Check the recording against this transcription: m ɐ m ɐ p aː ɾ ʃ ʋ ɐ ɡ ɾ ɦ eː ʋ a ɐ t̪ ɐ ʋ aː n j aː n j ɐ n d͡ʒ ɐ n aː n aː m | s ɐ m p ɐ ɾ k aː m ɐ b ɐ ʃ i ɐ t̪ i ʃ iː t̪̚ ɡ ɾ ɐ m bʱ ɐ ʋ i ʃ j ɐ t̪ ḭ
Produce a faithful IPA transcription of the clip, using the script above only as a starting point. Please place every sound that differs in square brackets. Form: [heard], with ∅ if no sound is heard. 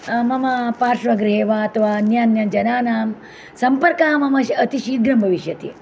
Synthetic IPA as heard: m ɐ m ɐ p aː ɾ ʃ ʋ ɐ ɡ ɾ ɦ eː ʋ a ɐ t̪ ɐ ʋ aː n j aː n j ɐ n d͡ʒ ɐ n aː n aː m | s ɐ m p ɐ ɾ k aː m ɐ [m] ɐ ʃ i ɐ t̪ i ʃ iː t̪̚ ɡ ɾ ɐ m bʱ ɐ ʋ i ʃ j ɐ t̪ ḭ